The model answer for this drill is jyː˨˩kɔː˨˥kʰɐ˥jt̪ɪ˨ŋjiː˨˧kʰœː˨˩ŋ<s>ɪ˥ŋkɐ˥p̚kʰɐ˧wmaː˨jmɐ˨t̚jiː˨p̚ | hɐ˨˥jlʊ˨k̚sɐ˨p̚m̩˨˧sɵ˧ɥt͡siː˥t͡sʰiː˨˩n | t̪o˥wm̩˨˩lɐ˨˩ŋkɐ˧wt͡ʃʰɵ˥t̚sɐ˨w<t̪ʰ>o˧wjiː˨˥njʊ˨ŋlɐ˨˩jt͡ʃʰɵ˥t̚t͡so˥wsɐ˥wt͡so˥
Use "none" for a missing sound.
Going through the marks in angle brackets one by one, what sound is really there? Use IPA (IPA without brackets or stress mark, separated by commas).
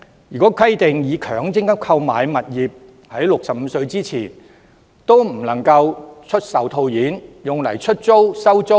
t͡s, t̪ʰ